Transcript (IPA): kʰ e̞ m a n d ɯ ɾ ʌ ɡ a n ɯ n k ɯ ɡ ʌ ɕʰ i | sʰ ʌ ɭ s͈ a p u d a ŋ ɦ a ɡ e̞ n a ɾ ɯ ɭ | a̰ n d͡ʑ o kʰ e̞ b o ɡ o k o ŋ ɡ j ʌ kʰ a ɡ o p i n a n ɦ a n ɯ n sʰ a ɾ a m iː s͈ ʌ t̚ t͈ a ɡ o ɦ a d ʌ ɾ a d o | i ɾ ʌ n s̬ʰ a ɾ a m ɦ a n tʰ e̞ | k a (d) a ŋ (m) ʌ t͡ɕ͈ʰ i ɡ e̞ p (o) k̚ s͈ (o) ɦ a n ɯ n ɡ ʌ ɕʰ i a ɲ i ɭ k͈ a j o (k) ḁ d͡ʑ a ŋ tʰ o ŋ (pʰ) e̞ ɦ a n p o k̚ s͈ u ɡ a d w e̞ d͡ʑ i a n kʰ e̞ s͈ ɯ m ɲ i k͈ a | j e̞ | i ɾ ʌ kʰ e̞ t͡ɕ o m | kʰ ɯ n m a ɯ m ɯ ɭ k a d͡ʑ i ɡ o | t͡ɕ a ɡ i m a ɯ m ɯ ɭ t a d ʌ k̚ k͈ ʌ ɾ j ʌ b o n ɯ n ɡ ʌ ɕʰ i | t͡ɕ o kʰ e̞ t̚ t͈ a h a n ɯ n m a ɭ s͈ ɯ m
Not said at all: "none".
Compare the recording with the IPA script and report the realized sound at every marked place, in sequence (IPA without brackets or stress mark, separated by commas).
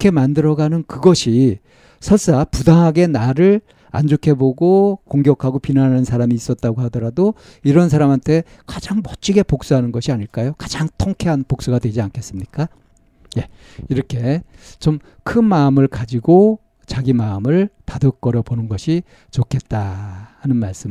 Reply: d͡ʑ, m, o, u, k, kʰ